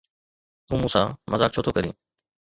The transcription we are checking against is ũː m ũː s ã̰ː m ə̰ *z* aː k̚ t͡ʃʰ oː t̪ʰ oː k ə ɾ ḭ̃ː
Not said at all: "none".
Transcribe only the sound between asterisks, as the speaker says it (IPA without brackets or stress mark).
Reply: z